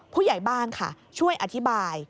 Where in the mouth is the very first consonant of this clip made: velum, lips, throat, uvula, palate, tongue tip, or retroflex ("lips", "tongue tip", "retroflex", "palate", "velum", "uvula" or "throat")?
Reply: lips